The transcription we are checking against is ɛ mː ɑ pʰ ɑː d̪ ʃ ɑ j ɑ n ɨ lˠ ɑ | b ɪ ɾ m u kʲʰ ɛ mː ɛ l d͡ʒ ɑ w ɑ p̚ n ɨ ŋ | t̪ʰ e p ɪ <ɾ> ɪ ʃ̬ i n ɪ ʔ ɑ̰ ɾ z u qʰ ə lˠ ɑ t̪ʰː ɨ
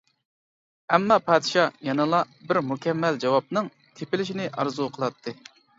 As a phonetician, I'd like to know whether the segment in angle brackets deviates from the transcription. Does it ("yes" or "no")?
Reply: yes